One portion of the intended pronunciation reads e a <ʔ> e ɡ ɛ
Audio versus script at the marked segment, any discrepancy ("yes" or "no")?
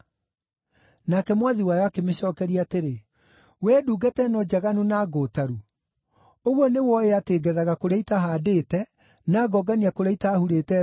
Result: yes